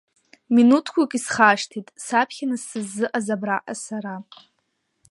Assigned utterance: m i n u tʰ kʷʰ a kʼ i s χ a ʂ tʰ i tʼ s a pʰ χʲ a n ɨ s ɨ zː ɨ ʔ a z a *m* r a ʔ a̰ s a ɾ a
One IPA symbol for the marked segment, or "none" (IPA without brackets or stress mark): b